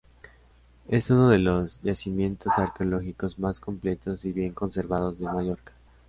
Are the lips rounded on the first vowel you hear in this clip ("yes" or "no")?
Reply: no